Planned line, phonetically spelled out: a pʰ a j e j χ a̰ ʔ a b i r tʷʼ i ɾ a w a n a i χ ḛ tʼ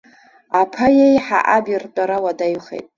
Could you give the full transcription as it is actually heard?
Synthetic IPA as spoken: a pʰ a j e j ħ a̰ ʔ a b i r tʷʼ a ɾ a w a d a j χ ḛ tʼ